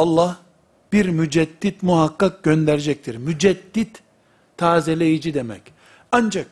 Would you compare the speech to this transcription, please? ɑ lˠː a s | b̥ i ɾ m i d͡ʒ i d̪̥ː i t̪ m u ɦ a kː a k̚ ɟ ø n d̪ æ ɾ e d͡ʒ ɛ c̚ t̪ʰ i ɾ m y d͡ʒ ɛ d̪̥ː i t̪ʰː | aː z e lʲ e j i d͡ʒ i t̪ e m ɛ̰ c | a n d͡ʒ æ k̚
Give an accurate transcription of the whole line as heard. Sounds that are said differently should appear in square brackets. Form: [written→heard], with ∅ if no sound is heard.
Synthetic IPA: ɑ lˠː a [s→h] | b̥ i ɾ m [i→y] d͡ʒ [i→ɛ] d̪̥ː i t̪ m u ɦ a kː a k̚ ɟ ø n d̪ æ ɾ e d͡ʒ ɛ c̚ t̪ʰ i ɾ m y d͡ʒ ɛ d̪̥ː i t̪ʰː | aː z e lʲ e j i d͡ʒ i [t̪→d̪] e m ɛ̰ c | a n d͡ʒ [æ→a] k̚